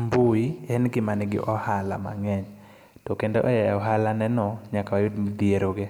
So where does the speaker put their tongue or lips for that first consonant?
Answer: lips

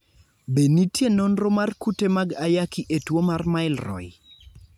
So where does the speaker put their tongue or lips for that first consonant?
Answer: lips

